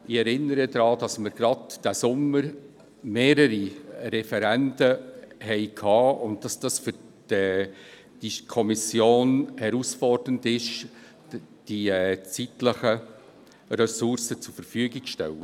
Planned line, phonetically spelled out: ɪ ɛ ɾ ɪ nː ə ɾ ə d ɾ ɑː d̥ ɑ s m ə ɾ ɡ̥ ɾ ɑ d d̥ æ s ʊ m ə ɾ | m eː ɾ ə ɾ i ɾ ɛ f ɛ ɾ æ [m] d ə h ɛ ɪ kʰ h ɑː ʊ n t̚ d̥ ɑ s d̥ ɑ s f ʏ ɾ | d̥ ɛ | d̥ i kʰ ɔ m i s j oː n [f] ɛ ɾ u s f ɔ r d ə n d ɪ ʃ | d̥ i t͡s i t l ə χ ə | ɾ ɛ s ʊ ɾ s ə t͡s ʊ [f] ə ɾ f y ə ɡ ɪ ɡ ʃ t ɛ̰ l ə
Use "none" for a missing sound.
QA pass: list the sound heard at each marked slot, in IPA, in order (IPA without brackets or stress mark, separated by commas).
n, h, f